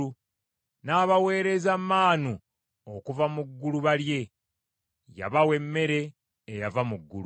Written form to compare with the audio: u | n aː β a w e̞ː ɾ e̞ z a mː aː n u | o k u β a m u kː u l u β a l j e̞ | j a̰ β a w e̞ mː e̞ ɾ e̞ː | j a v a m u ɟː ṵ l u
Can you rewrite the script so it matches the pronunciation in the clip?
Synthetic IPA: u | n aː β a w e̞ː ɾ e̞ z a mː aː n u | o k u v a m u ɡː u l u β a l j e̞ | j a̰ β a w e̞ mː e̞ ɾ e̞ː | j a v a m u ɡː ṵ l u

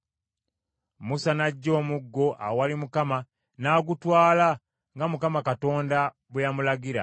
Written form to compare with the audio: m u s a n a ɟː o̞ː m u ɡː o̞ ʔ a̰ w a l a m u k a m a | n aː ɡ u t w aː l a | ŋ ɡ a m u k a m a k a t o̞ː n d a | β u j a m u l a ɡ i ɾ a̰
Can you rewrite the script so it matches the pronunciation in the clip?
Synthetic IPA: m u s a n a ɟː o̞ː m u ɡː o̞ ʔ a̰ w a l i m u k a m a | n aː ɡ u t w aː l a | ŋ ɡ a m u k a m a k a t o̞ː n d a | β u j a m u l a ɡ i ɾ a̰

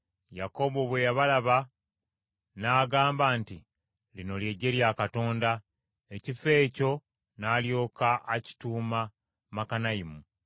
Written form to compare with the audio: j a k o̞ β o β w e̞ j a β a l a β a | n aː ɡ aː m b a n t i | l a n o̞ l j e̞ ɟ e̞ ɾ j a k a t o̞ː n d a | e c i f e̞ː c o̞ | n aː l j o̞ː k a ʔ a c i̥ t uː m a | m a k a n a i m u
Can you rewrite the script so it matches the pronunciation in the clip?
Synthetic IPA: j a k o̞ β o β w e̞ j a β a l a β a | n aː ɡ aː m b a n t i | l i n o̞ l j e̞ ɟ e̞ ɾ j a k a t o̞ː n d a | e c i f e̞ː c o̞ | n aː l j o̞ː k a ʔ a c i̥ t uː m a | m a k a n a i m u

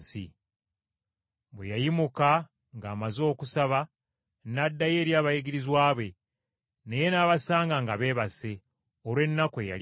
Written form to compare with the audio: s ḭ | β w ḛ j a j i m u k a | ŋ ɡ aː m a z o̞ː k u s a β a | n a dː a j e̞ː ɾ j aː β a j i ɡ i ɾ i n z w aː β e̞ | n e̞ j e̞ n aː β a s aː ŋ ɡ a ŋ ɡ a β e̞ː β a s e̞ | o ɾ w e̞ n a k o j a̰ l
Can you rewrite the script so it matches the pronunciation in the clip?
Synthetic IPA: s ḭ | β w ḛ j a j i m u k a | ŋ ɡ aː m a z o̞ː k u s a β a | n a dː a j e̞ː ɾ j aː β a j i ɡ i ɾ i z w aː β e̞ | n e̞ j e̞ n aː β a s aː ŋ ɡ a ŋ ɡ a β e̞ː β a s e̞ | o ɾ w e̞ nː a k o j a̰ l

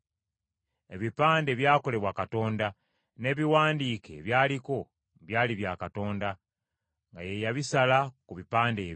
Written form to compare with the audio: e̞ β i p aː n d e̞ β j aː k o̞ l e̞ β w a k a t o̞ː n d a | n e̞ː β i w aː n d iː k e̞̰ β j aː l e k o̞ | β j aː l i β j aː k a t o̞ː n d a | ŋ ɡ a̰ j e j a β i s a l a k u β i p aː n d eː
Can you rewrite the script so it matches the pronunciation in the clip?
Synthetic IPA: e̞ β i p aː n d e̞ β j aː k o̞ l e̞ β w a k a t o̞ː n d a | n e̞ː β i w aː n d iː k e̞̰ β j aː l i k o̞ | β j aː l i β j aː k a t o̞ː n d a | ŋ ɡ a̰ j e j a β i s a l a k u β i p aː n d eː

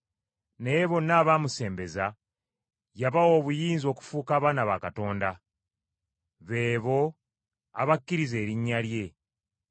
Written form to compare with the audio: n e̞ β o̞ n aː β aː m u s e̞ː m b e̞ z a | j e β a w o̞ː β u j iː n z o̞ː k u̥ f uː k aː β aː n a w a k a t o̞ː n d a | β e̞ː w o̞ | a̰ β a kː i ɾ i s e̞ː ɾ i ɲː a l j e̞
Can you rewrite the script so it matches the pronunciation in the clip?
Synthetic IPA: n e̞ β o̞ n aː β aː m u s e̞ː m b e̞ z a | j a β a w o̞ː β u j iː n z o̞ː k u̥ f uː k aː β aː n a β a k a t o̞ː n d a | β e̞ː β o̞ | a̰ β a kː i ɾ i z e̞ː ɾ i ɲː a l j e̞

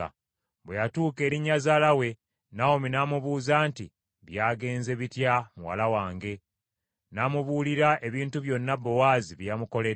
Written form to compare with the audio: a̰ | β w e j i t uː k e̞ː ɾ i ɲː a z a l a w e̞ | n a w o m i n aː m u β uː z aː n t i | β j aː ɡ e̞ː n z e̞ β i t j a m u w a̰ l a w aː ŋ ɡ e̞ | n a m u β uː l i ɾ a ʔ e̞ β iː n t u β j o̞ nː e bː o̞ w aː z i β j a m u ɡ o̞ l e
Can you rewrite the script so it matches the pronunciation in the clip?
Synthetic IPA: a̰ | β w e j a t uː k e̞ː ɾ i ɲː a z a l a w e̞ | n a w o m i n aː m u β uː z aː n t i | β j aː ɡ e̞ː n z e̞ β i t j a m u w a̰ l a w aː ŋ ɡ e̞ | n a m u β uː l i ɾ a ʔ e̞ β iː n t u β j o̞ nː a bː o̞ w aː z i β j a m u k o̞ l e

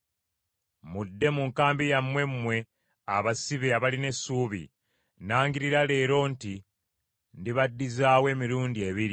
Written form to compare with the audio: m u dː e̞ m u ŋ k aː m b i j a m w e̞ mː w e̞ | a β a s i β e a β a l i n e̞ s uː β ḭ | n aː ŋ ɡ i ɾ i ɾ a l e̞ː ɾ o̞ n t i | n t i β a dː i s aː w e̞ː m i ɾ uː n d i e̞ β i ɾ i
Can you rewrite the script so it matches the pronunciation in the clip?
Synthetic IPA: m u dː e̞ m u ŋ k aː m b i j a m w e̞ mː w e̞ | a β a s i β e a β a l i n e̞ s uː β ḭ | n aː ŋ ɡ i ɾ i ɾ a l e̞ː ɾ o̞ n t i | n d i β a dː i z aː w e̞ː m i ɾ uː n d i e̞ β i ɾ i

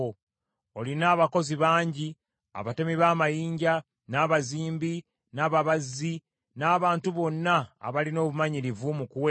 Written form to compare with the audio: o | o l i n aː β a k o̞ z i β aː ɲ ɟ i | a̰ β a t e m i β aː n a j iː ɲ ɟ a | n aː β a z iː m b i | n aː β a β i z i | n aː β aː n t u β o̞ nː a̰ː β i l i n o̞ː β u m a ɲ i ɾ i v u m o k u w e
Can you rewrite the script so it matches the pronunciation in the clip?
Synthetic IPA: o | o l i n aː β a k o̞ z i β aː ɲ ɟ i | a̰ β a t e m i β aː m a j iː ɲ ɟ a | n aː β a z iː m b i | n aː β a β a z i | n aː β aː n t u β o̞ nː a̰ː β a l i n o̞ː β u m a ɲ i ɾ i v u m u k u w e

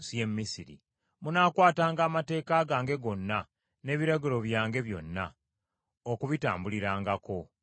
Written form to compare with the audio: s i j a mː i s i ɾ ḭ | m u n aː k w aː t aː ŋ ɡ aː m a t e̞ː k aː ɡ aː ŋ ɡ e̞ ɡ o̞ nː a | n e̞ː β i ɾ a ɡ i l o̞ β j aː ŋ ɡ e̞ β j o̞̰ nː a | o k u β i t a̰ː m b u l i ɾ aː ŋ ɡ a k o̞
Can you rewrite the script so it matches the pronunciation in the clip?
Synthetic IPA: s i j e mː i s i ɾ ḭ | m u n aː k w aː t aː ŋ ɡ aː m a t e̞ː k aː ɡ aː ŋ ɡ e̞ ɡ o̞ nː a | n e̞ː β i ɾ a ɡ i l o̞ β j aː ŋ ɡ e̞ β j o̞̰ nː a | o k u β i t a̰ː m b u l i ɾ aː ŋ ɡ a k o̞

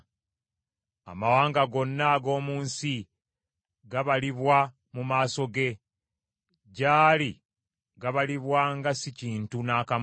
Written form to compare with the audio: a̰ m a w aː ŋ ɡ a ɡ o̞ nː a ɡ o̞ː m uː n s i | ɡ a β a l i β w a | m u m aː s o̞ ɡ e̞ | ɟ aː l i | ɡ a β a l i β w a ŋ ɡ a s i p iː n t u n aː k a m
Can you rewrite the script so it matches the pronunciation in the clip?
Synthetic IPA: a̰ m a w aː ŋ ɡ a ɡ o̞ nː a ɡ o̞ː m uː n s i | ɡ a β a l i β w a | m u m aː s o̞ ɡ e̞ | ɟ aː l i | ɡ a β a l i β w a ŋ ɡ a s i c iː n t u n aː k a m

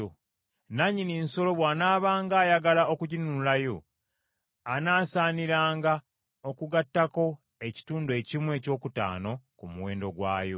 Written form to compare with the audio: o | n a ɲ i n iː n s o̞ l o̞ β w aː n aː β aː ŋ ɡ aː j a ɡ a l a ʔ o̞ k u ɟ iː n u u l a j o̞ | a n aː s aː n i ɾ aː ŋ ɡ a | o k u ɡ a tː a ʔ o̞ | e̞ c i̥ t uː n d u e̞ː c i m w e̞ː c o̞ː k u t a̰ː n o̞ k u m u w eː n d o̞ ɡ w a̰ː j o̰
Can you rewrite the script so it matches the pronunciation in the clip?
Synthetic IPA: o | n a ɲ i n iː n s o̞ l o̞ β w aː n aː β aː ŋ ɡ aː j a ɡ a l a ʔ o̞ k u ɟ i n u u l a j o̞ | a n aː s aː n i ɾ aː ŋ ɡ a | o k u ɡ a tː a k o̞ | e̞ c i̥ t uː n d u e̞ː c i m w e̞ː c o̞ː k u t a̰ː n o̞ k u m u w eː n d o̞ ɡ w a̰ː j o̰

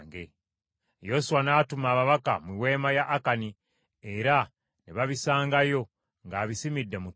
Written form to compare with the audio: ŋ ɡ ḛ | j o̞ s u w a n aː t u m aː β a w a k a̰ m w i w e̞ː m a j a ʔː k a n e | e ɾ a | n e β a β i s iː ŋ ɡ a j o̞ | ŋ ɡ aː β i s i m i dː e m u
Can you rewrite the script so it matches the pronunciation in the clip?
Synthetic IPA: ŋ ɡ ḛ | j o̞ s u w a n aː t u m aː β a β a k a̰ m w i w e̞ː m a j a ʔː k a n i | e ɾ a | n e β a β i s aː ŋ ɡ a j o̞ | ŋ ɡ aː β i s i m i dː e m u

